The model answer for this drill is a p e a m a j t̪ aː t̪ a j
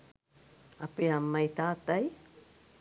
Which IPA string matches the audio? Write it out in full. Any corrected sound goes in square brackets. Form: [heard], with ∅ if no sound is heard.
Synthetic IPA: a p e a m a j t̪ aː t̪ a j